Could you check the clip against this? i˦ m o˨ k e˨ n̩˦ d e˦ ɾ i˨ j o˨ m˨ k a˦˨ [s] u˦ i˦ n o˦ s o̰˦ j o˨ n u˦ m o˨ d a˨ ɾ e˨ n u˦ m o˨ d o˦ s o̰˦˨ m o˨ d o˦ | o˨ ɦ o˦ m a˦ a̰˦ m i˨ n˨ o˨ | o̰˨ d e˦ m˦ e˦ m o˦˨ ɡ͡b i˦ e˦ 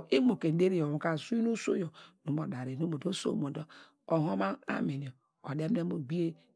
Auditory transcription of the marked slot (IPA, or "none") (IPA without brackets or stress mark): s